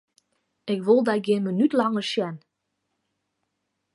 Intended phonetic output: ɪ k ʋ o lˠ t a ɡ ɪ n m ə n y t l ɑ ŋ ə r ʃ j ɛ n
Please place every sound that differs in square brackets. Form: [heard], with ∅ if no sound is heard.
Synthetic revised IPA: ɪ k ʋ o lˠ [d] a ɡ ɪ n m ə n y t l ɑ ŋ ə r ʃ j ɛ n